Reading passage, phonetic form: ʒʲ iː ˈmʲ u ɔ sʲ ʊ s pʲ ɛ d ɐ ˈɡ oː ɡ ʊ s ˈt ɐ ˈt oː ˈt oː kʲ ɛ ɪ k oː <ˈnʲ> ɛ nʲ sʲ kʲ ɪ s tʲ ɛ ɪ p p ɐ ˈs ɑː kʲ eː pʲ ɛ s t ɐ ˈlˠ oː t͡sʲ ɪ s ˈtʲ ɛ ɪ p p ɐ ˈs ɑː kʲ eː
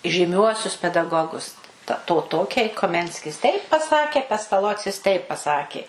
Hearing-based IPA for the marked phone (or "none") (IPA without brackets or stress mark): mʲ